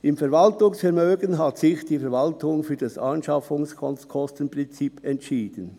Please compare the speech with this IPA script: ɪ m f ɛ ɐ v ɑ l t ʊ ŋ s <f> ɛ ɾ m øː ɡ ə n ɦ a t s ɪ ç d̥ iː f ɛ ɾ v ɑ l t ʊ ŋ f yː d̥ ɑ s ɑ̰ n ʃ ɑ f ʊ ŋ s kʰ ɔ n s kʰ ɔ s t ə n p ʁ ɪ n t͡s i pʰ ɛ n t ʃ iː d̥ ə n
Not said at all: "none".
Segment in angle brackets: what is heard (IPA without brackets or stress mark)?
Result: f